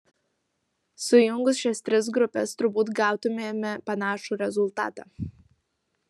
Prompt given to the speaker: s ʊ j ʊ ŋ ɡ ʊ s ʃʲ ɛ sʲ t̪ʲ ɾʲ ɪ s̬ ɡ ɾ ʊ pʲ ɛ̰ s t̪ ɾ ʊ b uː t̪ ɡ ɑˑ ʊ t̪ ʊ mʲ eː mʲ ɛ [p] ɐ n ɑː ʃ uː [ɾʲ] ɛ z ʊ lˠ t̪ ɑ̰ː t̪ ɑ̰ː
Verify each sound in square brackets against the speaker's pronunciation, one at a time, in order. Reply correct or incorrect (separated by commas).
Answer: correct, correct